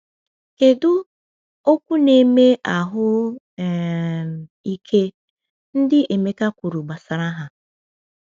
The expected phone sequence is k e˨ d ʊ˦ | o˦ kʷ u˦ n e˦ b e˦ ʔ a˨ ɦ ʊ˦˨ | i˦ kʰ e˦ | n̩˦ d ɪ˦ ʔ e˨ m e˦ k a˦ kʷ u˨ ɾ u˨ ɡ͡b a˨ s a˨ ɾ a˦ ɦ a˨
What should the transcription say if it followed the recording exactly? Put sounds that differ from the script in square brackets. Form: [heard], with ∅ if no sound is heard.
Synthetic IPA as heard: k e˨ d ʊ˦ | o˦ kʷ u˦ n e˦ [m] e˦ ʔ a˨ ɦ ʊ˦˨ | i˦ kʰ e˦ | n̩˦ d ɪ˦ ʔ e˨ m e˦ k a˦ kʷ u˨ ɾ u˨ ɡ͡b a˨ s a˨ ɾ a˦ ɦ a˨